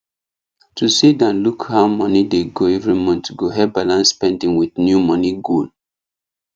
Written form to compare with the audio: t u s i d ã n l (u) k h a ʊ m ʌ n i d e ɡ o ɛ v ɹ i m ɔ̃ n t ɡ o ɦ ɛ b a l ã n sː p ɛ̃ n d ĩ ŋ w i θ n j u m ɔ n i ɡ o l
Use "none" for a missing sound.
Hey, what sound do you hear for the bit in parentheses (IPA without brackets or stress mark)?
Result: u